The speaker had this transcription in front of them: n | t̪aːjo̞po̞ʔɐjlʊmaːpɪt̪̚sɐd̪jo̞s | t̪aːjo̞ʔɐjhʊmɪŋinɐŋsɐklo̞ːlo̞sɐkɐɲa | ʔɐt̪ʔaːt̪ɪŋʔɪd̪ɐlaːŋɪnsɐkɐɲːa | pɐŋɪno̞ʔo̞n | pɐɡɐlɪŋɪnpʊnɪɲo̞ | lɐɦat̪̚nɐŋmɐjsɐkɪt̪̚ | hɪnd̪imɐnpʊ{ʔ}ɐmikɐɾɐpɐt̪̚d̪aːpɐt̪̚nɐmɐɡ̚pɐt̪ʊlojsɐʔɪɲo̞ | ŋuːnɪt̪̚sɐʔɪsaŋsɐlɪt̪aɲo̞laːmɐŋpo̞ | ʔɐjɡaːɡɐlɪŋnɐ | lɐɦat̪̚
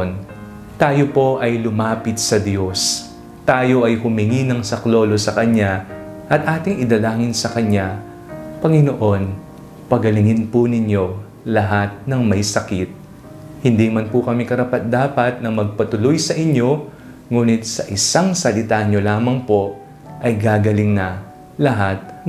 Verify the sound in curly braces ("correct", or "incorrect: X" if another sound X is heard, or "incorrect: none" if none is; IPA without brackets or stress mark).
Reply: incorrect: k